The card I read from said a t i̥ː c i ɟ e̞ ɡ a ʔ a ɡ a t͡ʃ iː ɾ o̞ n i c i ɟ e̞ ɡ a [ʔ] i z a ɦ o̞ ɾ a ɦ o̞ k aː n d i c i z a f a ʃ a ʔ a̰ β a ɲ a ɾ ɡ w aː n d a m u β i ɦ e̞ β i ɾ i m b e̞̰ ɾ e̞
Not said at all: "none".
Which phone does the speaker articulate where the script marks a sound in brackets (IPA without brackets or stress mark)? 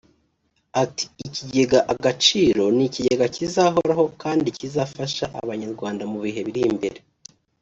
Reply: c